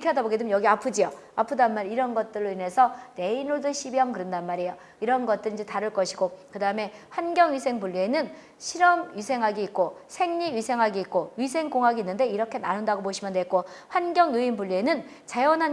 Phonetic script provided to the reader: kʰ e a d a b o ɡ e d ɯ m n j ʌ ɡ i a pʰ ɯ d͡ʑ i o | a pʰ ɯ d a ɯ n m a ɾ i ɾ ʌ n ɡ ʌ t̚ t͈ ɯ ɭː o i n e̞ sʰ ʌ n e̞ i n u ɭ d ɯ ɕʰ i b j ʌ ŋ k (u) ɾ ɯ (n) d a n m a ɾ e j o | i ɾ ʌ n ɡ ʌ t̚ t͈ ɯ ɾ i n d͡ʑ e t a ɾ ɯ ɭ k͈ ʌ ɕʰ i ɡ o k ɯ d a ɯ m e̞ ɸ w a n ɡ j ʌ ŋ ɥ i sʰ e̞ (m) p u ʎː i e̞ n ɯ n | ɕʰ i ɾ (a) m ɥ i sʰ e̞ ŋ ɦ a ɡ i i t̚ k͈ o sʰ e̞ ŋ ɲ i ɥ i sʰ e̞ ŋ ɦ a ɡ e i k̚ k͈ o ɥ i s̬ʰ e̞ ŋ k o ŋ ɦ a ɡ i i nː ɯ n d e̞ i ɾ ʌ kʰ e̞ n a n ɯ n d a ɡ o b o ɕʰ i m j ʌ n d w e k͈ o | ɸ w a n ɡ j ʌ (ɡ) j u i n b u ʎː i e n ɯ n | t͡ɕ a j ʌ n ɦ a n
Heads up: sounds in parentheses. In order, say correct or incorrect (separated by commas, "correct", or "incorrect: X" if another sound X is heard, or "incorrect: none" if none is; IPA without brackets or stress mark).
incorrect: ɯ, correct, incorrect: ŋ, incorrect: ʌ, incorrect: ŋ